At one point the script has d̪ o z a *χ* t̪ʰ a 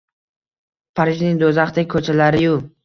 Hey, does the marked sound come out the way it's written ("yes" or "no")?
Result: yes